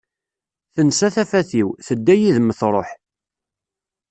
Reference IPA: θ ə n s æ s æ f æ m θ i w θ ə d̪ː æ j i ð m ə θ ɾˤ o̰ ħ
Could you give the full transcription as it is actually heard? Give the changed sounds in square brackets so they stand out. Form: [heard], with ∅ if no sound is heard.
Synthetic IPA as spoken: θ ə n s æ [θ] æ f æ [∅] θ i w θ ə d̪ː æ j i ð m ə θ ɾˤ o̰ ħ